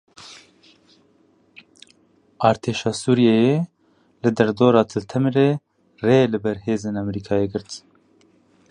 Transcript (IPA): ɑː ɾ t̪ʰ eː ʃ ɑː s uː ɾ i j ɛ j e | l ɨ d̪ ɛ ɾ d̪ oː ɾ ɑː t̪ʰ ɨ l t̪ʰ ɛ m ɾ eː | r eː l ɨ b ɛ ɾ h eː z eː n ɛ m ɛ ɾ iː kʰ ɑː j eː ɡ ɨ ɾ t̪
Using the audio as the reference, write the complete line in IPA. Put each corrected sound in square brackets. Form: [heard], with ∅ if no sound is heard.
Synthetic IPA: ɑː ɾ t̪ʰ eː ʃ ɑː s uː ɾ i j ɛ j e | l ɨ d̪ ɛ ɾ d̪ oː ɾ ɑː t̪ʰ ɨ l t̪ʰ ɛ m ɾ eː | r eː l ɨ b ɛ ɾ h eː z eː n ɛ m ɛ ɾ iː kʰ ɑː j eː ɡ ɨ ɾ t̪